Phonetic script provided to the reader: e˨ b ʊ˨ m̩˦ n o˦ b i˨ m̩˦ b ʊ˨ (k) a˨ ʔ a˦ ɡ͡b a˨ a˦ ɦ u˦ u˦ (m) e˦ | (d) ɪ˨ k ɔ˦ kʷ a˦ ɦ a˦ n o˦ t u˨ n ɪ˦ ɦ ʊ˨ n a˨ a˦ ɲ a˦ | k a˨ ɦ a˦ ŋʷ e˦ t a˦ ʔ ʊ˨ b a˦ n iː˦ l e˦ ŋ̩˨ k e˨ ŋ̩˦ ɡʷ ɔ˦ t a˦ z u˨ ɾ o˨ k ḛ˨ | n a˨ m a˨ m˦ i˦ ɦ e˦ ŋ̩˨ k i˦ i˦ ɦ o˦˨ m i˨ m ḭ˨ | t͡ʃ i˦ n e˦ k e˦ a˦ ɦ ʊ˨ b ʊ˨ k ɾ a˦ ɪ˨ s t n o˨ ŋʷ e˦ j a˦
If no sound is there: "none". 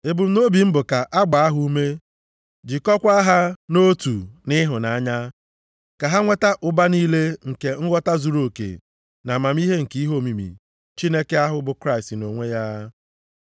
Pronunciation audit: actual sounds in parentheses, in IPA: k, m, d͡ʒ

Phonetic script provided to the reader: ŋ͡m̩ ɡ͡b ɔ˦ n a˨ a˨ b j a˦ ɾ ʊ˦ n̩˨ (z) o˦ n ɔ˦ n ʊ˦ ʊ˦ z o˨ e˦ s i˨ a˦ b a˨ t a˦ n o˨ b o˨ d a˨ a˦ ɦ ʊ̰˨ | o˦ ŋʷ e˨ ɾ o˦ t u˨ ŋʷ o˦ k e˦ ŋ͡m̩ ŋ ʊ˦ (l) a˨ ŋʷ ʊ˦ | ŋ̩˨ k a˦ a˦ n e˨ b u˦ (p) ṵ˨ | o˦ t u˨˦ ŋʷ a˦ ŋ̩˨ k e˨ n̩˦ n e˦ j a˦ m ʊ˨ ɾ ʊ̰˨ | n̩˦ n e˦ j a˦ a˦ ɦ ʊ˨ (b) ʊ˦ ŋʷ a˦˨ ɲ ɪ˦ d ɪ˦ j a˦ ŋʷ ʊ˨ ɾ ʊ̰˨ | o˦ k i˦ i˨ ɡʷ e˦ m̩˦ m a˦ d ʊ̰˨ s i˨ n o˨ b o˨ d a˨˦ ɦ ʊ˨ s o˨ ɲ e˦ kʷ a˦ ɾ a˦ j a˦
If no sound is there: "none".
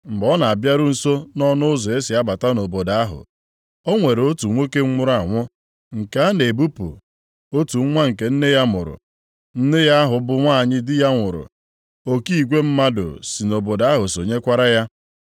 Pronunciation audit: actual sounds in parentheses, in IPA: s, ɾ, p, b

